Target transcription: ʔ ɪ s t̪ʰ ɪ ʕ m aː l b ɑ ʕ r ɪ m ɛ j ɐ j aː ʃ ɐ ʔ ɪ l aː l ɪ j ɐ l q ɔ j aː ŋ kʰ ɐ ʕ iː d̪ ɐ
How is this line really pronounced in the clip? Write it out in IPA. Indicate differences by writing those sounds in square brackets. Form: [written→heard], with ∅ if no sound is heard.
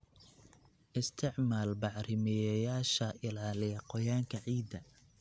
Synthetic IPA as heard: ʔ ɪ s t̪ʰ ɪ ʕ m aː l b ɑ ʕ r ɪ m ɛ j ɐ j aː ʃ ɐ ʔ ɪ l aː l ɪ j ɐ [l→∅] q ɔ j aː ŋ kʰ ɐ ʕ iː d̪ ɐ